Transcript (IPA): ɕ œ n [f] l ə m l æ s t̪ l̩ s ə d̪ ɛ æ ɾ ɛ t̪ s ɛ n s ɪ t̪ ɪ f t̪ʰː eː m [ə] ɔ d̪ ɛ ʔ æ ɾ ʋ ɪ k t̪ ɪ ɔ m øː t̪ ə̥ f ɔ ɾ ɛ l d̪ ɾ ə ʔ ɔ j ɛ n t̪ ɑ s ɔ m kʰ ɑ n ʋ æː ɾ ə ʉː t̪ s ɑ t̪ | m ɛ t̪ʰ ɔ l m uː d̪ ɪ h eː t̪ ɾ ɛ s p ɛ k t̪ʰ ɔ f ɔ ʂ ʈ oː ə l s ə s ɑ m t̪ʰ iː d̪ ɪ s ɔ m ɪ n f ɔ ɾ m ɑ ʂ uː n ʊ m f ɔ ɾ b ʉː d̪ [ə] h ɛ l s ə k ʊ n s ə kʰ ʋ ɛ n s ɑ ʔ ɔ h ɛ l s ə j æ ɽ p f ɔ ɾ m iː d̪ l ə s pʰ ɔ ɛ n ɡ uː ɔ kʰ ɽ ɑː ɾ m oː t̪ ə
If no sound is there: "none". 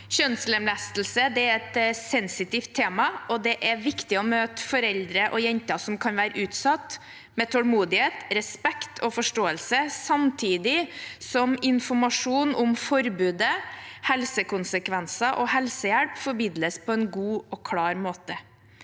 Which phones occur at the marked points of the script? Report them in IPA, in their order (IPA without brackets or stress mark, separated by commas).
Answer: s, ɑ, ə